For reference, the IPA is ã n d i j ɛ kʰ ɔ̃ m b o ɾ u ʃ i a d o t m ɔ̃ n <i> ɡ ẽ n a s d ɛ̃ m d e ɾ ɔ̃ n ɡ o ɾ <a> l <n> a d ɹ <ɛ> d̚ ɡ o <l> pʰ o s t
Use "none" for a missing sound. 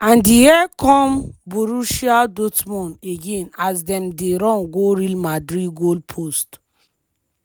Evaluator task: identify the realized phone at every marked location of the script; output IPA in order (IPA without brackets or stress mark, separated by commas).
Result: e, i, m, i, l